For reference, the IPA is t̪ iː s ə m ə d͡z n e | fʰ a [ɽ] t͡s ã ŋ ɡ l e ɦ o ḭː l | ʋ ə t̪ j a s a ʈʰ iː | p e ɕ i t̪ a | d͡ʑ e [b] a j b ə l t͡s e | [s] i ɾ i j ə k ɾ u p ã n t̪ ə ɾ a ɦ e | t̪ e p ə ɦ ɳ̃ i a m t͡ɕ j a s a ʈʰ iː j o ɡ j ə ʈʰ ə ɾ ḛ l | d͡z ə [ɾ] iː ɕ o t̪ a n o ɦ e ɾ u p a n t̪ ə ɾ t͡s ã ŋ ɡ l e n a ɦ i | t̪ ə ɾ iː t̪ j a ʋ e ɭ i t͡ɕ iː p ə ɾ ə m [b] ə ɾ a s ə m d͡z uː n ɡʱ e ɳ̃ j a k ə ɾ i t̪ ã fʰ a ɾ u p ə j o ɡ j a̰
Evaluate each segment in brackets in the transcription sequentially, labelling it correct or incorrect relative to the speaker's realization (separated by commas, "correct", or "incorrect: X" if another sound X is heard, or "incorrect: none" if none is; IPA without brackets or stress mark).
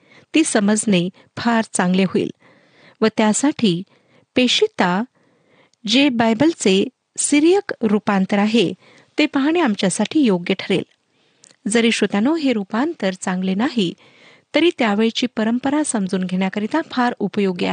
incorrect: ɾ, correct, correct, correct, incorrect: p